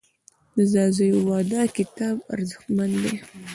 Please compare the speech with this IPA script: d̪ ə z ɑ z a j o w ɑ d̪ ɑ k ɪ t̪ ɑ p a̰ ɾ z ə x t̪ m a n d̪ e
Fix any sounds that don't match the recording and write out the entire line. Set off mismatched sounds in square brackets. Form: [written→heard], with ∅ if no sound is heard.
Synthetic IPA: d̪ ə z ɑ z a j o w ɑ d̪ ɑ k ɪ t̪ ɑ [p→b] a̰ ɾ z ə x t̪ m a n d̪ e